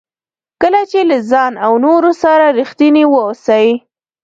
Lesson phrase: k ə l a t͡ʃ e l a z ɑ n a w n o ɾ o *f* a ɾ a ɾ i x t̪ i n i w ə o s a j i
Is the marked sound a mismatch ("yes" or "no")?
yes